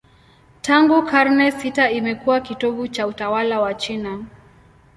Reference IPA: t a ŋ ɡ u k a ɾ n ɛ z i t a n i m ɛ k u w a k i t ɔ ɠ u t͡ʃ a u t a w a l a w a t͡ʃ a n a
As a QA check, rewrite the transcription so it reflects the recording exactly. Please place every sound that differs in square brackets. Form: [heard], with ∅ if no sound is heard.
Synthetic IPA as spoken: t a ŋ ɡ u k a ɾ n ɛ [s] i t a [∅] i m ɛ k u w a k i t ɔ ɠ u t͡ʃ a u t a w a l a w a t͡ʃ [i] n a